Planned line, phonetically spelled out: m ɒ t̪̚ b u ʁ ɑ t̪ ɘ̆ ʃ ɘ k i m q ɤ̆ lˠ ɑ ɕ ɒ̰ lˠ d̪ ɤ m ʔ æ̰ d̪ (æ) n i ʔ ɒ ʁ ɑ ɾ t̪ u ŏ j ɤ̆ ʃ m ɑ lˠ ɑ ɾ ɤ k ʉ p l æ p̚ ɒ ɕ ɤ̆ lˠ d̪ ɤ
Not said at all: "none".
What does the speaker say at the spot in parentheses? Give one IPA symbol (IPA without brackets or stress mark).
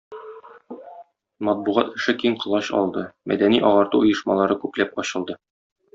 æ